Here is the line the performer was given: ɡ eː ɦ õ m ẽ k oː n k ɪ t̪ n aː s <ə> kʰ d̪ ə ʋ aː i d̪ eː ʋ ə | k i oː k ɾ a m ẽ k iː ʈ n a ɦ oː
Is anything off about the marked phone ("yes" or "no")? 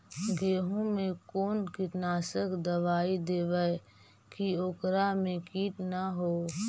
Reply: no